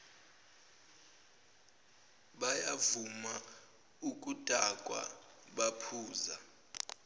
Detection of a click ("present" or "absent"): absent